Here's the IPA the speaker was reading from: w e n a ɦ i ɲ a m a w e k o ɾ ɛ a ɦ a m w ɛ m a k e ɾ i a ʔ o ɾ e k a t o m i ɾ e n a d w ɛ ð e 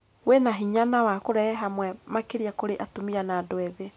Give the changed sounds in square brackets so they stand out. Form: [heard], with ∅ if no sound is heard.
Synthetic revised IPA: w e n a ɦ i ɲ a [n] a w [a] k o ɾ ɛ [ɛ] ɦ a m w ɛ m a k e ɾ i a [k] o ɾ e [ʔ] a t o m i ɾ [a] n a d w ɛ ð e